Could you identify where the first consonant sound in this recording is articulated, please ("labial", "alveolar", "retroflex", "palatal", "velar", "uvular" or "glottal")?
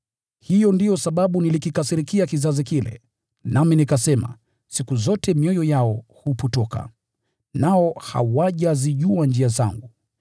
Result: glottal